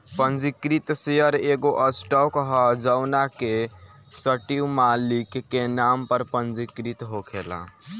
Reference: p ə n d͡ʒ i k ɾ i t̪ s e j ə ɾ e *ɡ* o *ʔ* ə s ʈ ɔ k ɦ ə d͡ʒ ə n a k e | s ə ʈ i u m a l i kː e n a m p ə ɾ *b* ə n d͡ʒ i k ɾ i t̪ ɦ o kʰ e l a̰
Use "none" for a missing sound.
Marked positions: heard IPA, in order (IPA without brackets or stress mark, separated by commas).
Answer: ɡ, ʔ, p